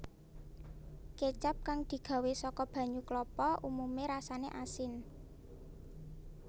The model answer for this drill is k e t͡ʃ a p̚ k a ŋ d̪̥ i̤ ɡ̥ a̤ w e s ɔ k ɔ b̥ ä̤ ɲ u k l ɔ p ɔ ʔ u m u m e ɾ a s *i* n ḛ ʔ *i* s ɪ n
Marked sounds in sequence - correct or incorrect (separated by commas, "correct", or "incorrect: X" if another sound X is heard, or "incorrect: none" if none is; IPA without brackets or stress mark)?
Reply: incorrect: a, incorrect: a